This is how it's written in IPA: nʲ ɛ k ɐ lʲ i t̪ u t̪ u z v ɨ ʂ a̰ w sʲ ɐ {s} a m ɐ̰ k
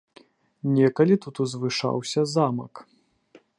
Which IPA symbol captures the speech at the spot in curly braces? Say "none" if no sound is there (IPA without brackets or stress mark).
z